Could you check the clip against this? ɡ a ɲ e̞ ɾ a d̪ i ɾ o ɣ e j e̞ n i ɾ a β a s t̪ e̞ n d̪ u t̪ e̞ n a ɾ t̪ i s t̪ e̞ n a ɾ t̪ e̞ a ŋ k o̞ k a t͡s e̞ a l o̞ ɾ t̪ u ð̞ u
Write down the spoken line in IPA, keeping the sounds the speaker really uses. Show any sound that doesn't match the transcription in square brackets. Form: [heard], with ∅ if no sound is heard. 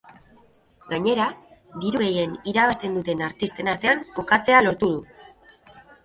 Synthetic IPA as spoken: ɡ a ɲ e̞ ɾ a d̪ i ɾ [u] ɣ e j e̞ n i ɾ a β a s t̪ e̞ n d̪ u t̪ e̞ n a ɾ t̪ i s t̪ e̞ n a ɾ t̪ e̞ a ŋ k o̞ k a t͡s e̞ a l o̞ ɾ t̪ u ð̞ u

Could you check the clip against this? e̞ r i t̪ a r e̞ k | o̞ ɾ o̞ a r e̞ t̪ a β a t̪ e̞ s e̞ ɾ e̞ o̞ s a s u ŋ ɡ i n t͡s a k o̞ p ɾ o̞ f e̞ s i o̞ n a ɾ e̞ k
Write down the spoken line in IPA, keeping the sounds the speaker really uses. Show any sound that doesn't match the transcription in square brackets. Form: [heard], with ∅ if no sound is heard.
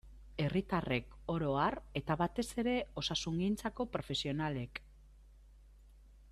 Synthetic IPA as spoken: e̞ r i t̪ a r e̞ k | o̞ ɾ o̞ a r e̞ t̪ a β a t̪ e̞ s e̞ ɾ e̞ o̞ s a s u ŋ ɡ i n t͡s a k o̞ p ɾ o̞ f e̞ s i o̞ n a [l] e̞ k

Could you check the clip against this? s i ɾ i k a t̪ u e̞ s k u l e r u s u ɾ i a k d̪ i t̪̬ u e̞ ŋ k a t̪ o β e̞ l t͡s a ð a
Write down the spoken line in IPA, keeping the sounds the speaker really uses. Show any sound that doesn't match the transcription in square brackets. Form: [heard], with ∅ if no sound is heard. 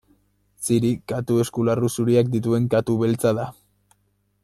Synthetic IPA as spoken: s i ɾ i k a t̪ u e̞ s k u l [a] r u s u ɾ i a k d̪ i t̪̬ u e̞ ŋ k a t̪ [u] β e̞ l t͡s a ð a

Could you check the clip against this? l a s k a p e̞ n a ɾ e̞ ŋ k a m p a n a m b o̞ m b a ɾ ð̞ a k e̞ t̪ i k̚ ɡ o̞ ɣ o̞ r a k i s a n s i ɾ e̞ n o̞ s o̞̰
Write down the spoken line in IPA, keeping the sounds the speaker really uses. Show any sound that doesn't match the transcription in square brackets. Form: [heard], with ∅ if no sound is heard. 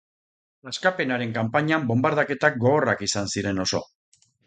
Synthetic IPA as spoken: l a s k a p e̞ n a ɾ e̞ ŋ k a m p a [ɲ] a m b o̞ m b a ɾ ð̞ a k e̞ t̪ [a] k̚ ɡ o̞ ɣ o̞ r a k i s a n s i ɾ e̞ n o̞ s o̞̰

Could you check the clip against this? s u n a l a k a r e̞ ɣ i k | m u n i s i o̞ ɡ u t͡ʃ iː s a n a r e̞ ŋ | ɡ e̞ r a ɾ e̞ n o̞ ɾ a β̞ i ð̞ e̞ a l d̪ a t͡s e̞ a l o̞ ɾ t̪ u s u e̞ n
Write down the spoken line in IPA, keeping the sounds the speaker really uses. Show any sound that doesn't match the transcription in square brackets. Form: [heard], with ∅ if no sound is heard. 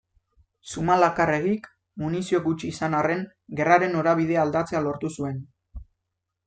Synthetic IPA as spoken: s u [m] a l a k a r e̞ ɣ i k | m u n i s i o̞ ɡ u t͡ʃ iː s a n a r e̞ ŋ | ɡ e̞ r a ɾ e̞ n o̞ ɾ a β̞ i ð̞ e̞ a l d̪ a t͡s e̞ a l o̞ ɾ t̪ u s u e̞ n

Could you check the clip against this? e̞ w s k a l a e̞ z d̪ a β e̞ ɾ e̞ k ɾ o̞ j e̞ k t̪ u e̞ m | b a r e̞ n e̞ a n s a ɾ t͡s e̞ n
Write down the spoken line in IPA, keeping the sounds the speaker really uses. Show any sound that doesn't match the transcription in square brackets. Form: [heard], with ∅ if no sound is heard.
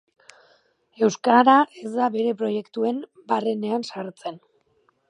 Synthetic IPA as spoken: e̞ w s k a [ɾ] a e̞ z d̪ a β e̞ ɾ e̞ [p] ɾ o̞ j e̞ k t̪ u e̞ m | b a r e̞ n e̞ a n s a ɾ t͡s e̞ n

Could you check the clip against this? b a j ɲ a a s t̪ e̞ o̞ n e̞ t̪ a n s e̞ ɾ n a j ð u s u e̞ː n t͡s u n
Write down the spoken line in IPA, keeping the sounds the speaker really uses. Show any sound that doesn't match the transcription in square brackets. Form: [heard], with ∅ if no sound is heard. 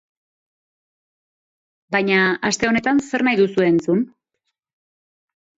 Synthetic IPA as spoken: b a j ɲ a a s t̪ e̞ o̞ n e̞ t̪ a n s e̞ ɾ n a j ð u s u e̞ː n t͡s u n

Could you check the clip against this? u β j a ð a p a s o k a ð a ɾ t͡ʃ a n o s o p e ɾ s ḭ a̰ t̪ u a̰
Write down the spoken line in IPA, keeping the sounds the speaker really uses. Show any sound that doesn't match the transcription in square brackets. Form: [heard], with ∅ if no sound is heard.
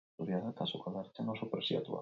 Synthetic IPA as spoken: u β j a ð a [k] a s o k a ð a ɾ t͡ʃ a n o s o p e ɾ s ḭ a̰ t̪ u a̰

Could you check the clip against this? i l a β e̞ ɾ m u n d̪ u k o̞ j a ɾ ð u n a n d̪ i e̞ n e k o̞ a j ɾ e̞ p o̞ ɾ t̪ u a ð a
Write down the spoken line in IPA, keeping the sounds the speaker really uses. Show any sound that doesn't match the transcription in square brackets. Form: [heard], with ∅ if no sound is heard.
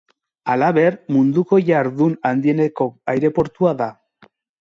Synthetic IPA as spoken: [a] l a β e̞ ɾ m u n d̪ u k o̞ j a ɾ ð u n a n d̪ i e̞ n e k o̞ a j ɾ e̞ p o̞ ɾ t̪ u a ð a

